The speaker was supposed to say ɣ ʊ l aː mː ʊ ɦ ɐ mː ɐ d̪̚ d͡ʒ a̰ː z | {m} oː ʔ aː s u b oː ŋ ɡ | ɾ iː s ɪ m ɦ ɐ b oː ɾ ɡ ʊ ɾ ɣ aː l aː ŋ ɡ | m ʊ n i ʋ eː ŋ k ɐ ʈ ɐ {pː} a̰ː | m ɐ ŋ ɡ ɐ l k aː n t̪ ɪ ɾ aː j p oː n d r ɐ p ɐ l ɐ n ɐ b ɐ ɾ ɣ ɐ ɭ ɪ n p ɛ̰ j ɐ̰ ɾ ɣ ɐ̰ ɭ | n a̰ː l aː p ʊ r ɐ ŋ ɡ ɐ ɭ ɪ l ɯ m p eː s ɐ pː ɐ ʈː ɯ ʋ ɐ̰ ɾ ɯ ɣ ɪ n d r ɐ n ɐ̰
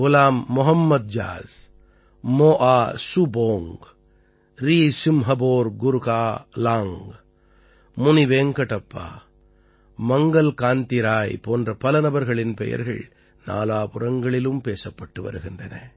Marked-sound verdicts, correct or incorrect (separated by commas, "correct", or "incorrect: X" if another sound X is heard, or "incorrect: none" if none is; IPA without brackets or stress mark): correct, correct